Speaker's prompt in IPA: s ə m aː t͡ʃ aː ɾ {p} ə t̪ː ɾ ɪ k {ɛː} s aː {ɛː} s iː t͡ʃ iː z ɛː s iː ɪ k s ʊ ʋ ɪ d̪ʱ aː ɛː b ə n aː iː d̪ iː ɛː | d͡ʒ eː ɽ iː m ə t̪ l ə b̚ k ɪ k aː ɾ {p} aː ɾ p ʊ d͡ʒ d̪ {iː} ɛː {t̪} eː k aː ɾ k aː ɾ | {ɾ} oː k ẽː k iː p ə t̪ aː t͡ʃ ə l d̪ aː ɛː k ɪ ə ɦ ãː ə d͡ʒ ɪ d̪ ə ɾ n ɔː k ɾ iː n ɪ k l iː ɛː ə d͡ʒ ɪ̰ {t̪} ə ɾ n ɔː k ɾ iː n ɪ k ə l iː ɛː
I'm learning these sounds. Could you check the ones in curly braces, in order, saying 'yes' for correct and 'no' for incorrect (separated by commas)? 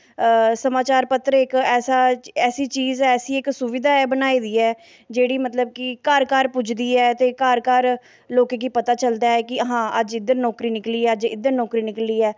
yes, yes, yes, no, yes, yes, no, no